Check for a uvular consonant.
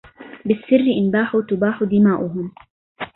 absent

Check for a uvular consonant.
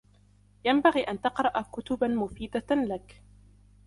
present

